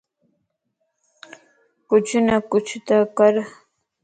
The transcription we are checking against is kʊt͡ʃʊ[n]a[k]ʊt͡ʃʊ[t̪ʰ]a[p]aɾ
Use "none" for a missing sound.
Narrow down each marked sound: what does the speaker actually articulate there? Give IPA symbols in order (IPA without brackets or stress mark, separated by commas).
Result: n, k, t̪, k